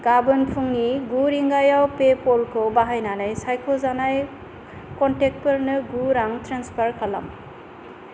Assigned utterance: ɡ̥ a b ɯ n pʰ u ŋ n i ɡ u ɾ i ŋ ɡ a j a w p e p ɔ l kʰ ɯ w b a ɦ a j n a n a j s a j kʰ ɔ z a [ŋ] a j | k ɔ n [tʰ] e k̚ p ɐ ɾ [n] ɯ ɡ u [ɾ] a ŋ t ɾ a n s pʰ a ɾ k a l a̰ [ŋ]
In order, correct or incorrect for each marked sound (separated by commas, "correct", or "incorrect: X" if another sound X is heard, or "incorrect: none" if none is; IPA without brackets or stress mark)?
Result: incorrect: n, incorrect: t, correct, correct, incorrect: m